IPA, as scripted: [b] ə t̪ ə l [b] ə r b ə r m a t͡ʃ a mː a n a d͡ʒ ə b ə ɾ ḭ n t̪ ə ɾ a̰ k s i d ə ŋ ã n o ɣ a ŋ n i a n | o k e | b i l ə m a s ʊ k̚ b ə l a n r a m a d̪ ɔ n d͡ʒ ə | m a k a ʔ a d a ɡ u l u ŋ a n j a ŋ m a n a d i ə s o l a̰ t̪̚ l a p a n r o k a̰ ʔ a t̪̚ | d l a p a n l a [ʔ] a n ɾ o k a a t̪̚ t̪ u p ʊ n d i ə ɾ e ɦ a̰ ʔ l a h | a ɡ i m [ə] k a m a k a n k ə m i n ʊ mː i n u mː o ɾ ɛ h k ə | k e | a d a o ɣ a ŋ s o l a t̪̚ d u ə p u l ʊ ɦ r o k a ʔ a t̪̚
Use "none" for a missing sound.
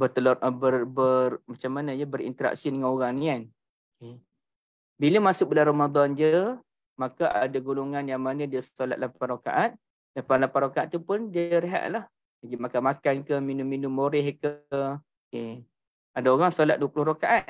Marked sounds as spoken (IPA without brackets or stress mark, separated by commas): b, b, p, a